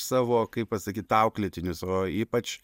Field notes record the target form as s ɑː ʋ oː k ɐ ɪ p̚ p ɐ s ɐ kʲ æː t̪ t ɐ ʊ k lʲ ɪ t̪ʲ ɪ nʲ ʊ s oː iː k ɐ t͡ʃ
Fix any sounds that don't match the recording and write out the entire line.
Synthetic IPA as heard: s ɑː ʋ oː k ɐ ɪ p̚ p ɐ s ɐ kʲ iː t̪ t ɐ ʊ k lʲ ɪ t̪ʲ ɪ nʲ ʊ s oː iː p ɐ t͡ʃ